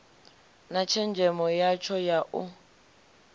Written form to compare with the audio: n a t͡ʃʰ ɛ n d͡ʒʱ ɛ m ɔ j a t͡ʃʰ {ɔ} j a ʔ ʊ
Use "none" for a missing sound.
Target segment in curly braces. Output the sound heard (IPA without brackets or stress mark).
ɔ